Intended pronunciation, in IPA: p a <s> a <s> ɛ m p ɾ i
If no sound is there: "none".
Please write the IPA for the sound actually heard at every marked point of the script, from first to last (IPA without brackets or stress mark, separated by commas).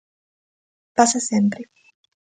s, s